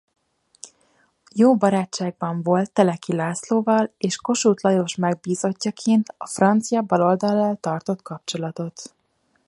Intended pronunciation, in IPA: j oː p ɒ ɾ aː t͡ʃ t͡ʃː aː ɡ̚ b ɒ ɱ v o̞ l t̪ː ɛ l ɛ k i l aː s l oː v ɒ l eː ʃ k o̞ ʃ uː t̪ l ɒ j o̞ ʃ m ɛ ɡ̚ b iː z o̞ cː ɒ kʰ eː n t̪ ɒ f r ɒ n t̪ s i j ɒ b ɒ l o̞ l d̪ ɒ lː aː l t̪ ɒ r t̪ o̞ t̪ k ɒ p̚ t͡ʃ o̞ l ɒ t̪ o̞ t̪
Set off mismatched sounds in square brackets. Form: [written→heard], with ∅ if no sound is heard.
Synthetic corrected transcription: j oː [p→b] ɒ ɾ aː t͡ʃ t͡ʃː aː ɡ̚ b ɒ ɱ v o̞ l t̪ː ɛ l ɛ k i l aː s l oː v ɒ l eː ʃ k o̞ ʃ uː t̪ l ɒ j o̞ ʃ m ɛ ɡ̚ b iː z o̞ cː ɒ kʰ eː n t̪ ɒ f r ɒ n t̪ s i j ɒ b ɒ l o̞ l d̪ ɒ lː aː l t̪ ɒ r t̪ o̞ t̪ k ɒ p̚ t͡ʃ o̞ l ɒ t̪ o̞ t̪